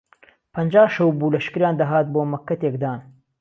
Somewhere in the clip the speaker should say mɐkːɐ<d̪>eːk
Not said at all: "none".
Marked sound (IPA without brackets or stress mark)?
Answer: t̪